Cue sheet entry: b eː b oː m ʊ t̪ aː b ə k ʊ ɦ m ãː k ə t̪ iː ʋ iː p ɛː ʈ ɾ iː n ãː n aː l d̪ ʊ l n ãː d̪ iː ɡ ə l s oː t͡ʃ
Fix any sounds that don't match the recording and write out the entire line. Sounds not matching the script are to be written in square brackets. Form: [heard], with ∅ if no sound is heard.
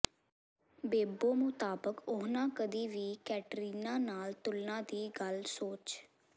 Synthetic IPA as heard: b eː b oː m ʊ t̪ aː b ə k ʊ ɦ [n] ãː k ə [d̪] iː ʋ iː [k] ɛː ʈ ɾ iː n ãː n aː l [t̪] ʊ l n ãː d̪ iː ɡ ə l s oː t͡ʃ